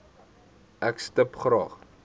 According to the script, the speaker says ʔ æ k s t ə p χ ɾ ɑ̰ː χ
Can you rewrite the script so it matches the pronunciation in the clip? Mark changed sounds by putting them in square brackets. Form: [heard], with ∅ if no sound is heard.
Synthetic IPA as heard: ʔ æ k s t ə p χ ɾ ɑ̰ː χ